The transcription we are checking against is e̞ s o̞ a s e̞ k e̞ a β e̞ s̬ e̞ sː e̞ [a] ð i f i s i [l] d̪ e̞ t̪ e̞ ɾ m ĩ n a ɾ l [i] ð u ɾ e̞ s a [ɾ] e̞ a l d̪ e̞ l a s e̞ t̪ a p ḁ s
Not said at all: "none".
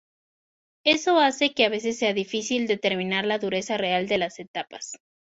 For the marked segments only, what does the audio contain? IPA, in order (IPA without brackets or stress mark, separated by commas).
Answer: a, l, a, r